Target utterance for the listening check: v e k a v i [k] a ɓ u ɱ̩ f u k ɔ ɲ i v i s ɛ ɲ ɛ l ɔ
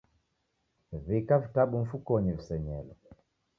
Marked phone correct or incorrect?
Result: incorrect